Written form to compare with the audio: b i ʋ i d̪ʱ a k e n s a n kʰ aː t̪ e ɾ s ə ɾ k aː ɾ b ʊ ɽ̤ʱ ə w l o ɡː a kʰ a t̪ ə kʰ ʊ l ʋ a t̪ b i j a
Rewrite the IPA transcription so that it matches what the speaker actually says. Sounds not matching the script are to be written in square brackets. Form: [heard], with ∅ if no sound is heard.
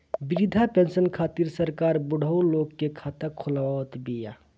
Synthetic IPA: b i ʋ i d̪ʱ a [p] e n s [ə] n kʰ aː t̪ [i] ɾ s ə ɾ k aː ɾ b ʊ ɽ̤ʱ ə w l o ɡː [e] kʰ a t̪ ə kʰ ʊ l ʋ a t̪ b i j a